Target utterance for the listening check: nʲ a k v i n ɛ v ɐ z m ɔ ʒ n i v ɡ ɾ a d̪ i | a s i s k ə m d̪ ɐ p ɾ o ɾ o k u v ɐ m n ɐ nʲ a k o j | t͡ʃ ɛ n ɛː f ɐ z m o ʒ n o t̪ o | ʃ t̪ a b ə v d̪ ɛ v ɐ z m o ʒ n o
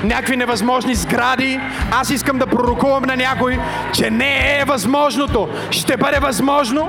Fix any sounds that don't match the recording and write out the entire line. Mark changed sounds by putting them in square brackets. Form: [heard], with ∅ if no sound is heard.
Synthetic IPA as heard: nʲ a k v i n ɛ v ɐ z m ɔ ʒ n i [z] ɡ ɾ a d̪ i | a s i s k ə m d̪ ɐ p ɾ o ɾ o k u v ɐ m n ɐ nʲ a k o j | t͡ʃ ɛ n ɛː [v] ɐ z m [ɔ] ʒ n o t̪ o | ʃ t̪ [ɛ] b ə [∅] d̪ ɛ v ɐ z m [ɔ] ʒ n o